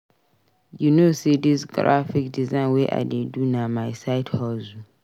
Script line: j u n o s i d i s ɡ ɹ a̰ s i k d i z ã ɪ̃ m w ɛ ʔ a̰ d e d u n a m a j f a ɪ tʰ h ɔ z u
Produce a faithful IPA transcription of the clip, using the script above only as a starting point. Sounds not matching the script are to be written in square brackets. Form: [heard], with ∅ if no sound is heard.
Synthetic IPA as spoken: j u n o s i d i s ɡ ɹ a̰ [f] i k d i z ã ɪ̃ [n] w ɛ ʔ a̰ d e d u n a m a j [s] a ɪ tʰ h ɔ z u